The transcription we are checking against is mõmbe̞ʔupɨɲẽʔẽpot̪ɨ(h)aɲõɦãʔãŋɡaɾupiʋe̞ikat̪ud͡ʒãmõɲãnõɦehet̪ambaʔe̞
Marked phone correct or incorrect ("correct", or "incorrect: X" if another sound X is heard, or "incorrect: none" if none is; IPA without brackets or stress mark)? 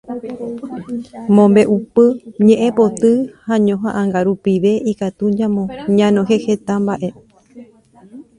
correct